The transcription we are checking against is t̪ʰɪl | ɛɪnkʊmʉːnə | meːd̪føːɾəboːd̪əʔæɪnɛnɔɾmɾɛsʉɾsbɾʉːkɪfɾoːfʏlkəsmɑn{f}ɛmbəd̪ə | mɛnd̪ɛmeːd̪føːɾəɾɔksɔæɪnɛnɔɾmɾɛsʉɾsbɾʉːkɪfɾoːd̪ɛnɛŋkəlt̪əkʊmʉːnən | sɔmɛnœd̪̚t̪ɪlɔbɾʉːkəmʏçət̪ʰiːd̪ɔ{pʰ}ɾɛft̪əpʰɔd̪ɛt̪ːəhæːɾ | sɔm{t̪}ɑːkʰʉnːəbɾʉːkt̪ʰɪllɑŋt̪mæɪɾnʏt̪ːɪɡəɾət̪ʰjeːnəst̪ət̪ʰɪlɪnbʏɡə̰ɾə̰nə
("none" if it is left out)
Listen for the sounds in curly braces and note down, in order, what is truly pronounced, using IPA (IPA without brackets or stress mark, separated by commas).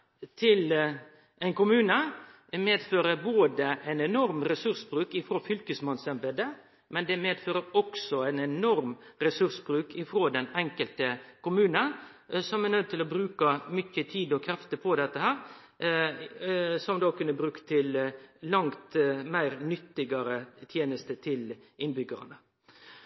s, kʰ, d̪